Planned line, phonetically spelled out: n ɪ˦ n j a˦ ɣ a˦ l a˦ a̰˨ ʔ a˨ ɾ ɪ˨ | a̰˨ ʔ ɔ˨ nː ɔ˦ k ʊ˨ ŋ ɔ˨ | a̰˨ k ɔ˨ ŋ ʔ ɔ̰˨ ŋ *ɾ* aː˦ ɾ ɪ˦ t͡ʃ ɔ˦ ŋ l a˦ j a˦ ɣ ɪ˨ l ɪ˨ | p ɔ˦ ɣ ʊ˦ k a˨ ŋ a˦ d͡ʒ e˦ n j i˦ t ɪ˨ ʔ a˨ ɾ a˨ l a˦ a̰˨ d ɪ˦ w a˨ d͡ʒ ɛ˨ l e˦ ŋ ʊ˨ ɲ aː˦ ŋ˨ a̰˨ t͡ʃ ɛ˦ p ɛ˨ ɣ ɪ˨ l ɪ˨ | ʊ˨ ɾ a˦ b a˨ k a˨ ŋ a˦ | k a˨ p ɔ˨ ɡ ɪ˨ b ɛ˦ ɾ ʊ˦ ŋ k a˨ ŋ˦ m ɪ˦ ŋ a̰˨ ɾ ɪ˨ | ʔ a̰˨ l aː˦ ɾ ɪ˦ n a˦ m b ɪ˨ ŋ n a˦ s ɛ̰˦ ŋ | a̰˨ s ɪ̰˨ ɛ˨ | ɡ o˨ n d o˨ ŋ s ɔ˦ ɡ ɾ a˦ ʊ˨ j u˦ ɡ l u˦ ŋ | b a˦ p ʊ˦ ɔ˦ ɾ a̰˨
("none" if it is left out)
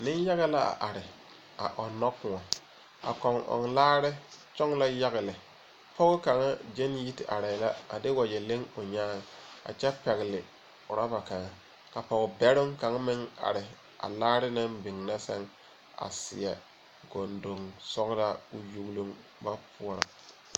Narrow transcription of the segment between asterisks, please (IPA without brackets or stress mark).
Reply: l